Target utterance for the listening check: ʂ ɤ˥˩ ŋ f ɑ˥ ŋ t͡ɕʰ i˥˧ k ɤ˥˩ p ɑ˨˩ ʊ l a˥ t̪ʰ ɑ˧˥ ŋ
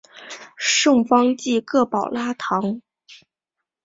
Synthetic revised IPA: ʂ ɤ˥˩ ŋ f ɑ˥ ŋ t͡ɕ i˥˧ k ɤ˥˩ p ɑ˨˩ ʊ l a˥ t̪ʰ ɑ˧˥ ŋ